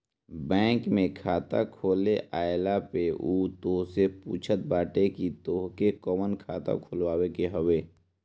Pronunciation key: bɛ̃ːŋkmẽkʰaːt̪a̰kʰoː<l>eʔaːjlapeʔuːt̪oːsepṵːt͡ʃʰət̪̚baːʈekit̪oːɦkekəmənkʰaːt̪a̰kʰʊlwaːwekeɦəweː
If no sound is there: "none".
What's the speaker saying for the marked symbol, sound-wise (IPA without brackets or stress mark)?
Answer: l